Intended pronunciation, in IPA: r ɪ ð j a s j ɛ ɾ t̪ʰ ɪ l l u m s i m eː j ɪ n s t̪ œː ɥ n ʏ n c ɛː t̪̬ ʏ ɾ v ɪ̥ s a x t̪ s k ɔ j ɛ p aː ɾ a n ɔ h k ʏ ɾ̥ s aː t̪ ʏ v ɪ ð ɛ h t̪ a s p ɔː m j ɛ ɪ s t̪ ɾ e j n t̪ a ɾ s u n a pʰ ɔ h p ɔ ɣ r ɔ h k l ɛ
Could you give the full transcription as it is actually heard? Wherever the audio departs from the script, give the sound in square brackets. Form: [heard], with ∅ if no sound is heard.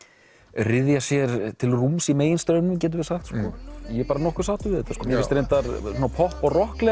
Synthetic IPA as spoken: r ɪ ð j a s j ɛ ɾ t̪ʰ ɪ l [r] u m s i m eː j ɪ n s t̪ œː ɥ n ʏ [m] c ɛː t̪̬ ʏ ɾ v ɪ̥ s a x t̪ s k ɔ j ɛ p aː ɾ a n ɔ h k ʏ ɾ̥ s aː t̪ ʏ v ɪ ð ɛ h t̪ a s [k] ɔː m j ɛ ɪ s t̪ ɾ e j n t̪ a ɾ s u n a pʰ ɔ h p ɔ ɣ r ɔ h k l ɛ